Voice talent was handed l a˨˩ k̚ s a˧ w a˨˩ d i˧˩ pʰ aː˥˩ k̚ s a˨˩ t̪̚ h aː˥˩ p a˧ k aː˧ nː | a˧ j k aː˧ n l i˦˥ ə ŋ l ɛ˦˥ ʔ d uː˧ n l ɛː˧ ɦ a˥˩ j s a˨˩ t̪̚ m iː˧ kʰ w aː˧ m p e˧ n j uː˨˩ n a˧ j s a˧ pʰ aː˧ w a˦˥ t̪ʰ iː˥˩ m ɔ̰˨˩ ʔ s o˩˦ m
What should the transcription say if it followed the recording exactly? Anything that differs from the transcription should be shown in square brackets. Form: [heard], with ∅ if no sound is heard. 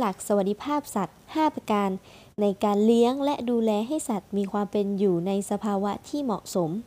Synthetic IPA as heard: l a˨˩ k̚ s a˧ w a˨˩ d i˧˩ pʰ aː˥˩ [p̚] s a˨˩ t̪̚ h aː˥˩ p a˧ k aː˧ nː | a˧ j k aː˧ n l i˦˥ ə ŋ l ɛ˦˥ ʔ d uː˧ [∅] l ɛː˧ ɦ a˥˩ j s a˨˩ t̪̚ m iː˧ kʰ w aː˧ m p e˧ n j uː˨˩ n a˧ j s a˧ pʰ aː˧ w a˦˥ t̪ʰ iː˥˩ m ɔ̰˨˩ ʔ s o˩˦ m